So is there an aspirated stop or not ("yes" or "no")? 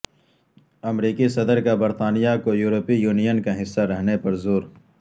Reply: no